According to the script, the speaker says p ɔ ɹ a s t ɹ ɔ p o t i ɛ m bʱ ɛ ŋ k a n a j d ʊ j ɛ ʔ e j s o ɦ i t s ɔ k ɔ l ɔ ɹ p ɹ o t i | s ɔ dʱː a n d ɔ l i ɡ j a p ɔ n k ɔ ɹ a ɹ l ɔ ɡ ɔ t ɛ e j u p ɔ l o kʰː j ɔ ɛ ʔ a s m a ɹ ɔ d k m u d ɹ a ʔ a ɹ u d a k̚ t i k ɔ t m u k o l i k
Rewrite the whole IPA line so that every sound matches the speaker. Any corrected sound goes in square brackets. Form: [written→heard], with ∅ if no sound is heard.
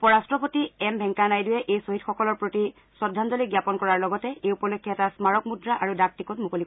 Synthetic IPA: p ɔ ɹ a s t ɹ ɔ p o t i ɛ m bʱ ɛ ŋ k a n a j d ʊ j ɛ ʔ e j s o ɦ i t [s→x] ɔ k ɔ l ɔ ɹ p ɹ o t i | s ɔ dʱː a n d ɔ l i ɡ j a p ɔ n k ɔ ɹ a ɹ l ɔ ɡ ɔ t ɛ e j u p ɔ l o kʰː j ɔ ɛ [ʔ→t] a s m a ɹ ɔ [d→∅] k m u d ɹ a ʔ a ɹ u d a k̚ t i k ɔ t m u k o l i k